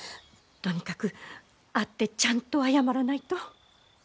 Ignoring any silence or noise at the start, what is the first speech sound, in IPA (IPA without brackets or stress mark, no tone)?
t̪